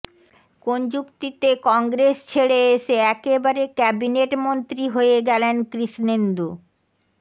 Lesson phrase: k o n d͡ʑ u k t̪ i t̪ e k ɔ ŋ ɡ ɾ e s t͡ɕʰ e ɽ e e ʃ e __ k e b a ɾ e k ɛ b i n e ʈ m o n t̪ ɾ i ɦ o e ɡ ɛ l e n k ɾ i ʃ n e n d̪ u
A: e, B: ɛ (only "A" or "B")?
B